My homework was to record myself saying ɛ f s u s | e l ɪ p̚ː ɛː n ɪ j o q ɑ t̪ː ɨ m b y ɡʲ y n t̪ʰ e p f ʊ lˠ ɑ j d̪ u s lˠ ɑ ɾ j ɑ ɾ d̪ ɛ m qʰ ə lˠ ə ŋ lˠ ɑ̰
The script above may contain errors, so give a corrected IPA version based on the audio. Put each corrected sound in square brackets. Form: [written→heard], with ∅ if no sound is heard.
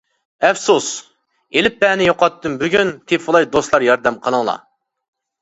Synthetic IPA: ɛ f s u s | e l ɪ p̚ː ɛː n ɪ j o q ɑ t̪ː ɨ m b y ɡʲ y n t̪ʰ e p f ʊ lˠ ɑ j d̪ [u→o] s lˠ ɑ ɾ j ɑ ɾ d̪ ɛ m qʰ ə lˠ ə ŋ lˠ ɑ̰